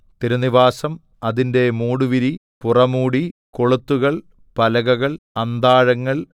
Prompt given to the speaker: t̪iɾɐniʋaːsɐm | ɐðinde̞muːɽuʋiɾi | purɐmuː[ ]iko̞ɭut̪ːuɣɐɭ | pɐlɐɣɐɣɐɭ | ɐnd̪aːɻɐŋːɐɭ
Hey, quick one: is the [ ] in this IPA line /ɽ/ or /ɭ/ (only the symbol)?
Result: ɽ